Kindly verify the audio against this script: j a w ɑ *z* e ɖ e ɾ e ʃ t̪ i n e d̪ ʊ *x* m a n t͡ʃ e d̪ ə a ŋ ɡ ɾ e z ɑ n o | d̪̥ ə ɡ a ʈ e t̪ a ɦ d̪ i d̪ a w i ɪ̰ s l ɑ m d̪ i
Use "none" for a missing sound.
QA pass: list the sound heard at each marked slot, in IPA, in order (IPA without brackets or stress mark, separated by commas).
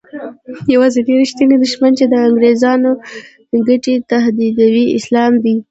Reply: z, ʃ